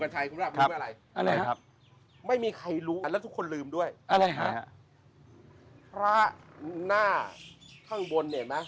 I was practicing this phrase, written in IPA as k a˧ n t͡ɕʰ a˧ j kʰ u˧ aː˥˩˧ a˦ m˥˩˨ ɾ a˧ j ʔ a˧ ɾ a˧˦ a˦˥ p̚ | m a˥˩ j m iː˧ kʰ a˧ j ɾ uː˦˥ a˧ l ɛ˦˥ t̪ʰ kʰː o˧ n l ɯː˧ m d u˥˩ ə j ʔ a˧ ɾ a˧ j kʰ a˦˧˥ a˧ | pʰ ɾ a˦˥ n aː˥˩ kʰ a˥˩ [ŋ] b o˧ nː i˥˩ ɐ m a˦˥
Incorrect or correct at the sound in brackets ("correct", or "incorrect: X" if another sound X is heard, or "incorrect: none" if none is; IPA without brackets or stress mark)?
correct